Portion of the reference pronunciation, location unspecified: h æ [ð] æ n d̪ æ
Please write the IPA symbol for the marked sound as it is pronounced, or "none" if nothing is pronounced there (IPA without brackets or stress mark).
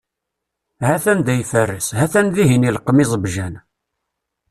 θ